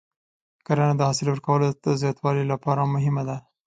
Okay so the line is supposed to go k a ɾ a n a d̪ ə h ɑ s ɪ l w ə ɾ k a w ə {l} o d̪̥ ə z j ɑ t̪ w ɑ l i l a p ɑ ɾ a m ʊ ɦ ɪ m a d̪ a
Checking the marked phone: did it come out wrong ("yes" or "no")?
no